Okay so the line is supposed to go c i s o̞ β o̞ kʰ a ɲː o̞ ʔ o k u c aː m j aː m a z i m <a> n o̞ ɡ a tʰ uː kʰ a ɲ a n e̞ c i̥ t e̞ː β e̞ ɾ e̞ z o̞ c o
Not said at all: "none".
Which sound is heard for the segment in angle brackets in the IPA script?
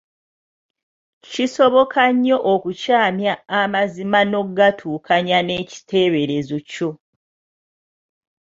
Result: a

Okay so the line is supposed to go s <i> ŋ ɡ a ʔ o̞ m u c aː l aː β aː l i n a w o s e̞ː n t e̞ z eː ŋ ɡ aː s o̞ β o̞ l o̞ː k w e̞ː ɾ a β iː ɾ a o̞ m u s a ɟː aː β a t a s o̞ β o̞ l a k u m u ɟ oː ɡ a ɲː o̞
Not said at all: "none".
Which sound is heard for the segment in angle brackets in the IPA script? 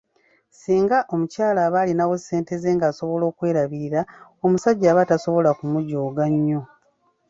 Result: iː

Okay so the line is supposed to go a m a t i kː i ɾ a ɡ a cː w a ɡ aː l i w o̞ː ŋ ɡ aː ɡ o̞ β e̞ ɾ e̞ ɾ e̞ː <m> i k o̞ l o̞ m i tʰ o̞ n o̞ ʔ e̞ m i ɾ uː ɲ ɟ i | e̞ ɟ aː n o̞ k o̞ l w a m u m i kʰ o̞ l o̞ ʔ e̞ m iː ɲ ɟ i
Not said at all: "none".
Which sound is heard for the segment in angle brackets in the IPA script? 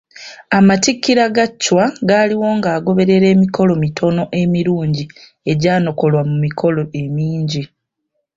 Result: m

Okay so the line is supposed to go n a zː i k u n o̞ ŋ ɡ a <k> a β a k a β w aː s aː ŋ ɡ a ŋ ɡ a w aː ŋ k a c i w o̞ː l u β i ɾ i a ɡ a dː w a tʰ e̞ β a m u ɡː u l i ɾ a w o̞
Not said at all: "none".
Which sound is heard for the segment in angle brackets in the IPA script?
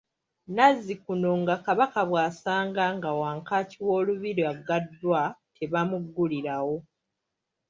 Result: k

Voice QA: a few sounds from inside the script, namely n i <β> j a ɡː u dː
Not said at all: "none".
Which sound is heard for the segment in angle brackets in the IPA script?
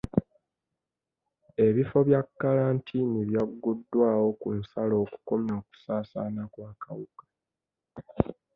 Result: β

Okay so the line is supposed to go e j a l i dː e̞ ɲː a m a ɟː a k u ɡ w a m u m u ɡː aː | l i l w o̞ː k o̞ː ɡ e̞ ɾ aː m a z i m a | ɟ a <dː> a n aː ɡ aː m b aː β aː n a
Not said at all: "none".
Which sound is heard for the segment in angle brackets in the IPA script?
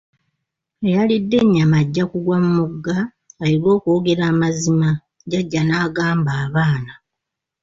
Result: ɟː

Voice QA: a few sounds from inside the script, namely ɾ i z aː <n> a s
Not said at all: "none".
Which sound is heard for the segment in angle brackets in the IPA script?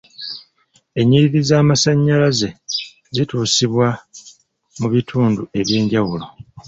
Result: m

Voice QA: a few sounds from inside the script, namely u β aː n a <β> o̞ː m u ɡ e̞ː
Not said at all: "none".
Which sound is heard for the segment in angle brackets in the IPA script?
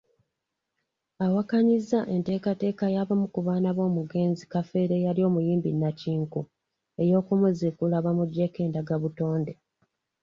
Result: β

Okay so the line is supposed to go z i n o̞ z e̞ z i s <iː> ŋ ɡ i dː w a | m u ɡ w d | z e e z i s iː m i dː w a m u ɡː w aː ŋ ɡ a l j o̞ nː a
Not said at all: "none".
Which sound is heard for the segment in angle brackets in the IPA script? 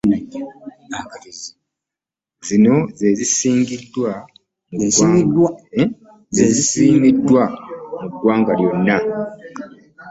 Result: iː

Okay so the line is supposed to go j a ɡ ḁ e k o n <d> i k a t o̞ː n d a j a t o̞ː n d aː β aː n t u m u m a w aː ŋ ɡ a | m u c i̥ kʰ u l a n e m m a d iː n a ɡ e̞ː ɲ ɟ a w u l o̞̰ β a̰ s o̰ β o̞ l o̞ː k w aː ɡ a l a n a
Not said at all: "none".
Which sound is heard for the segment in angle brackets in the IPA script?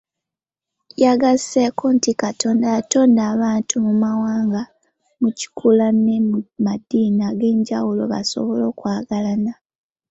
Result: t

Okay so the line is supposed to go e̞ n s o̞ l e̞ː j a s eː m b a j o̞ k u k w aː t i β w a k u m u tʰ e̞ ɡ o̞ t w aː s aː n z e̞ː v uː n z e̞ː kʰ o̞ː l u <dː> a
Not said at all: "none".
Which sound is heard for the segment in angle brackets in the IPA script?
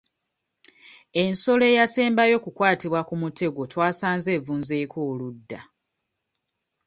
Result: dː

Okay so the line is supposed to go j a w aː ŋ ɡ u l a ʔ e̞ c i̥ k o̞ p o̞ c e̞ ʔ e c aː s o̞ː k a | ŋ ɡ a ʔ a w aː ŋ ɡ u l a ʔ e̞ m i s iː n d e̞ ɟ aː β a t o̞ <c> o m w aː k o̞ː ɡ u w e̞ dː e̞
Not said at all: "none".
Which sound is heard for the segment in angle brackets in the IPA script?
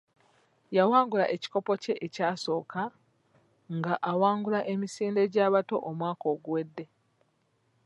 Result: ʔ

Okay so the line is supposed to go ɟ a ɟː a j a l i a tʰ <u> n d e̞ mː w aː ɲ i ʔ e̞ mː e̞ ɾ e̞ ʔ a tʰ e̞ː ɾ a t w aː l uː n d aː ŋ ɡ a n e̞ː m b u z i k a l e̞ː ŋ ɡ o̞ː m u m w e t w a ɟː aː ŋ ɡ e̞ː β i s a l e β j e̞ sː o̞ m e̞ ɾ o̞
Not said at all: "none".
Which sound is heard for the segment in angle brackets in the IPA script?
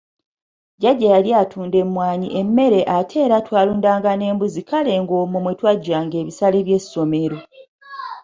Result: uː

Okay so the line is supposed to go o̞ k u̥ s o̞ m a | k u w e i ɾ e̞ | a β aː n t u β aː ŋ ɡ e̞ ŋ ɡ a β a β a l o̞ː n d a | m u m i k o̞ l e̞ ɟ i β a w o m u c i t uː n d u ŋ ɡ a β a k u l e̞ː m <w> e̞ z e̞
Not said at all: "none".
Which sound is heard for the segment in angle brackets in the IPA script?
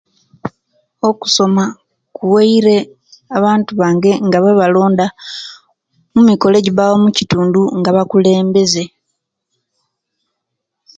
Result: b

